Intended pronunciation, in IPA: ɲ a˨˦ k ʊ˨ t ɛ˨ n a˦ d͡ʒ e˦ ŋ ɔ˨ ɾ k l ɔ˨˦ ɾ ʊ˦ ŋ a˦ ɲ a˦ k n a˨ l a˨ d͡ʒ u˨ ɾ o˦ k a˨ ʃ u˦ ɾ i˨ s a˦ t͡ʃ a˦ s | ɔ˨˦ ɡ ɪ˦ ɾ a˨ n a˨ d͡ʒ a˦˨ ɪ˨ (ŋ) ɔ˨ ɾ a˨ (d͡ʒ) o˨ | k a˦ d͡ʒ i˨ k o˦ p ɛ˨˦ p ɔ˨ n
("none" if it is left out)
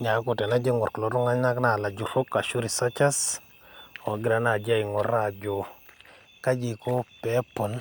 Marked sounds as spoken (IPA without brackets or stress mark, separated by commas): ŋ, d͡ʒ